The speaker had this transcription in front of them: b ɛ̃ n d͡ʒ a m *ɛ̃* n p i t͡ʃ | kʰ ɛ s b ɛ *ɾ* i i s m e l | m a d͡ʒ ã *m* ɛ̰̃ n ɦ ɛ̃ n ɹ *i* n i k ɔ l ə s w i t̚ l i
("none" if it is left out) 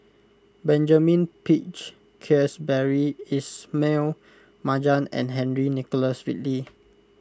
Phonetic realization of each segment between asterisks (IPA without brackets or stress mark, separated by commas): ĩ, ɹ, n, i